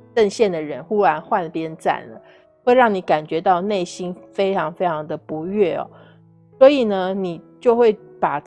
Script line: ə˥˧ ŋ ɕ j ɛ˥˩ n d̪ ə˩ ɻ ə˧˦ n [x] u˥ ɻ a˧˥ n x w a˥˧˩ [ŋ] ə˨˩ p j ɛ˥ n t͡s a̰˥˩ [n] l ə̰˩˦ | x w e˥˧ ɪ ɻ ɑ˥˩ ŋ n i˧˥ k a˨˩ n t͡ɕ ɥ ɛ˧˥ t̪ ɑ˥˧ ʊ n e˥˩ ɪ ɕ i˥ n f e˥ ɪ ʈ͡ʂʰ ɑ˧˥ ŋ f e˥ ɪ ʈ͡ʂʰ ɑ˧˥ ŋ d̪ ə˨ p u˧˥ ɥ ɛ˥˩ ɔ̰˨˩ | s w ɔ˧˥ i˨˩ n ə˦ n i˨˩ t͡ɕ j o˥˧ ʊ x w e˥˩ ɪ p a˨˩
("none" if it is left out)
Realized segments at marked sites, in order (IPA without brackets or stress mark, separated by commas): x, n, n